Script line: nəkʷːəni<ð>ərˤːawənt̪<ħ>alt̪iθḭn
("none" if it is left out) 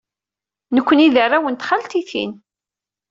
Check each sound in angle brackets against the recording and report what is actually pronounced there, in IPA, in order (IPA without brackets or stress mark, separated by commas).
ð, χ